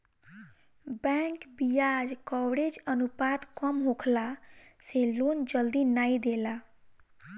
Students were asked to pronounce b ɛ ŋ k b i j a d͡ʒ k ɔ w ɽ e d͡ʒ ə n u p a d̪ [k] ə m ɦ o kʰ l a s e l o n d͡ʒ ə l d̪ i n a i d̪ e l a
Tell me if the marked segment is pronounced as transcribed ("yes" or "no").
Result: yes